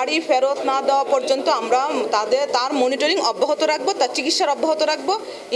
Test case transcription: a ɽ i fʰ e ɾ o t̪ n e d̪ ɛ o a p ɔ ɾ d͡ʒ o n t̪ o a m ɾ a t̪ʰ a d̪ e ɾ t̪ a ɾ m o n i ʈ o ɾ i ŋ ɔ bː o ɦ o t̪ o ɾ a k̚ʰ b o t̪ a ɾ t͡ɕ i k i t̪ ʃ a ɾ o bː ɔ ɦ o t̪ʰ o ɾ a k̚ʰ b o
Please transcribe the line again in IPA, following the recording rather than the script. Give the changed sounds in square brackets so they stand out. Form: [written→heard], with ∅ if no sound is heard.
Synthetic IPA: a ɽ i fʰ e ɾ o t̪ n [e→a] d̪ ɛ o a p ɔ ɾ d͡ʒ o n t̪ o a m ɾ a [t̪ʰ→t̪] a d̪ e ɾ t̪ a ɾ m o n i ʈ o ɾ i ŋ ɔ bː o ɦ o t̪ o ɾ a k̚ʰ b o t̪ a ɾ t͡ɕ i k i t̪ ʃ a ɾ [o→ɔ] bː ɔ ɦ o [t̪ʰ→t̪] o ɾ a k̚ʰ b o